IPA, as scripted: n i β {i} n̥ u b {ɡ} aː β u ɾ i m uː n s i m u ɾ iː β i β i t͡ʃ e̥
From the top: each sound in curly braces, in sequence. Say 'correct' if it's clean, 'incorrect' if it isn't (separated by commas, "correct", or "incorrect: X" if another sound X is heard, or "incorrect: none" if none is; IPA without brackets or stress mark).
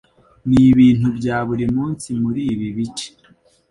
incorrect: iː, incorrect: ɟ